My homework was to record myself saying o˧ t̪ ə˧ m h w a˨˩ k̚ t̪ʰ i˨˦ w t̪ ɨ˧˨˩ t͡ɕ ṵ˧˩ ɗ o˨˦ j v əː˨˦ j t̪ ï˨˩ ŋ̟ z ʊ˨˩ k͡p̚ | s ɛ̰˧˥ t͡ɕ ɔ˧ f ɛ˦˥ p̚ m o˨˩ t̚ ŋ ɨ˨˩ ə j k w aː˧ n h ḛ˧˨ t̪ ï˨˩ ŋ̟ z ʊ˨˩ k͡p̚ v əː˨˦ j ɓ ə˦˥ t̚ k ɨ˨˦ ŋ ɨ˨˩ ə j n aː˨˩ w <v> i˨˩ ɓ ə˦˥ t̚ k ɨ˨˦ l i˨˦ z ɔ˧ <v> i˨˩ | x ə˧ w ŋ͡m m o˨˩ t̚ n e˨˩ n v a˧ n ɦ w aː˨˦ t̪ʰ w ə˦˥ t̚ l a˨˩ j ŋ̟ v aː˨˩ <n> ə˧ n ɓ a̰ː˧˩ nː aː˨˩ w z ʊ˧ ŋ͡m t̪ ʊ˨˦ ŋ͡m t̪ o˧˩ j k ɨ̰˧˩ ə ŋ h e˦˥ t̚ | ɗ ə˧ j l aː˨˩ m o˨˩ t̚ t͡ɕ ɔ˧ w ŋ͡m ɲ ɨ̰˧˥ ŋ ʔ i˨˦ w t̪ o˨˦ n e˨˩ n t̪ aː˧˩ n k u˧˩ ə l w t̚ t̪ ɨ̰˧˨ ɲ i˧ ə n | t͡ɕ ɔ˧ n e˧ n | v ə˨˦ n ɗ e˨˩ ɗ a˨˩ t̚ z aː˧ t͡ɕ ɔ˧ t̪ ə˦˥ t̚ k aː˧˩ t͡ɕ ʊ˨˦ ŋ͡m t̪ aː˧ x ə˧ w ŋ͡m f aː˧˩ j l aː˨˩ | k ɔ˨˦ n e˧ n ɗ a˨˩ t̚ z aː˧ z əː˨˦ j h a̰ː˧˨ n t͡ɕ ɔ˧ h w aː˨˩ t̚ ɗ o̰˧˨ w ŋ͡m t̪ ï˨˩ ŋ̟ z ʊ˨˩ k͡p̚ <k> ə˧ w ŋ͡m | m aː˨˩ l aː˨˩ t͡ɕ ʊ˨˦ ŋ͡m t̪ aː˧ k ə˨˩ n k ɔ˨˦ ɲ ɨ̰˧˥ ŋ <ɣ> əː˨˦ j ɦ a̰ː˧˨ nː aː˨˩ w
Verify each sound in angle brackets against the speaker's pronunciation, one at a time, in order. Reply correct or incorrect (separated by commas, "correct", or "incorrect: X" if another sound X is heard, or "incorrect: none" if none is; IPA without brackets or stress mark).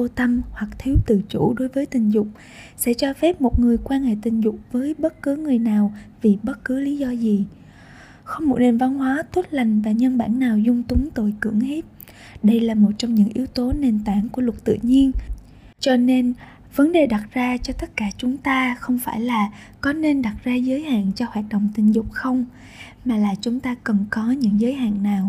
correct, incorrect: z, incorrect: ɲ, incorrect: x, incorrect: z